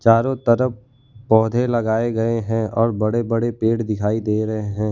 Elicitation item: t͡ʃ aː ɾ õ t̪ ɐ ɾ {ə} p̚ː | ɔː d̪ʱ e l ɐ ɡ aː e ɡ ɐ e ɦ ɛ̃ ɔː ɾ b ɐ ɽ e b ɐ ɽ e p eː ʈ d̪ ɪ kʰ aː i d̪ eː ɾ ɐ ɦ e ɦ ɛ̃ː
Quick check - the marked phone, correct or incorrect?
correct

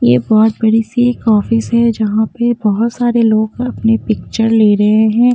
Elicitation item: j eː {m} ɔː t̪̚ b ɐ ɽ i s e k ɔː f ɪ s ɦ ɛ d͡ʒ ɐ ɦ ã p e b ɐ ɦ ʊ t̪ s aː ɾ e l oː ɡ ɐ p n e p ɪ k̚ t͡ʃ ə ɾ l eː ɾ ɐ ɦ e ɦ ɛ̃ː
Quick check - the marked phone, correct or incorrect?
incorrect: b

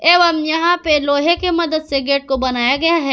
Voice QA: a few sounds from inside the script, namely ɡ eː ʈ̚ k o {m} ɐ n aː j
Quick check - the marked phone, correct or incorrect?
incorrect: b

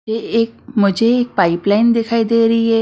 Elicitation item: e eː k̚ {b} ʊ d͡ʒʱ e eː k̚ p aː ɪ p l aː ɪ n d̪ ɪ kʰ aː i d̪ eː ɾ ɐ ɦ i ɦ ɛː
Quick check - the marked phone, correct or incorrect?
incorrect: m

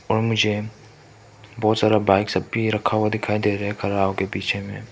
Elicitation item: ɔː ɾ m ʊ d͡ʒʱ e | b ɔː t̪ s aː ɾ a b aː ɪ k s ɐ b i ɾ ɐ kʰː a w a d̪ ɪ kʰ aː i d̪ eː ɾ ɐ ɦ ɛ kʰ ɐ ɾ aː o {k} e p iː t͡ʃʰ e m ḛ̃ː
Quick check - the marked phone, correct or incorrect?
correct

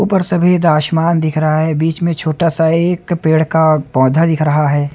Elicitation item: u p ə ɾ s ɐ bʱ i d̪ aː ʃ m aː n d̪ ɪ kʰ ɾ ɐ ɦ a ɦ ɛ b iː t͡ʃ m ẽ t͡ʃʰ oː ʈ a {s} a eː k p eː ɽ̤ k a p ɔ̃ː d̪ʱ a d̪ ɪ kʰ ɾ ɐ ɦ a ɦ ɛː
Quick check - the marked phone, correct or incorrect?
correct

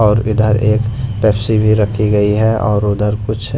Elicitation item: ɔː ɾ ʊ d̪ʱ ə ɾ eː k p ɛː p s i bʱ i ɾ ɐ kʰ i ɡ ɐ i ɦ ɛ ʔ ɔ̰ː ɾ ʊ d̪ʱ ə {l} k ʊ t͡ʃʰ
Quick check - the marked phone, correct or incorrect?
incorrect: ɾ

